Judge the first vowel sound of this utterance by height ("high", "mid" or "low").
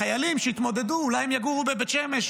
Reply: low